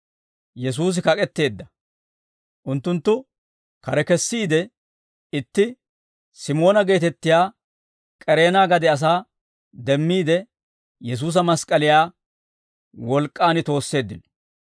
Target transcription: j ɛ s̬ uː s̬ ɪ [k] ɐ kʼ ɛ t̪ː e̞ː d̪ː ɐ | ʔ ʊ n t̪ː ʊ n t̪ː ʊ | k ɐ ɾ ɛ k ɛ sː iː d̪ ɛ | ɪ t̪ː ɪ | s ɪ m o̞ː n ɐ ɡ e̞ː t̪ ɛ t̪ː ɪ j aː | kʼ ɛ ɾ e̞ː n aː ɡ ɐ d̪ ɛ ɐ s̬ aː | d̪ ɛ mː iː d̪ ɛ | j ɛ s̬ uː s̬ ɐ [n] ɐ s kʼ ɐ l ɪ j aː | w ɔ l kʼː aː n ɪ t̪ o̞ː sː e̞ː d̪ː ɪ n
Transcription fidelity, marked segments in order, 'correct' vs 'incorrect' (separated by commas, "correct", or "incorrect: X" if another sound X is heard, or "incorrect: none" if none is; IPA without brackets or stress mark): correct, incorrect: m